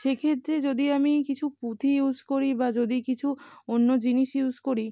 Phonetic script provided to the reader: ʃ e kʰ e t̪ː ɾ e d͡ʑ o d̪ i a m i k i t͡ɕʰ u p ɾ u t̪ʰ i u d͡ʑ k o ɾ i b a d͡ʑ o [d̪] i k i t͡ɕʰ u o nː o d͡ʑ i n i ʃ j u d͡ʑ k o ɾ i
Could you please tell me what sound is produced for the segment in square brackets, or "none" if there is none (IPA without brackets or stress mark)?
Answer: d̪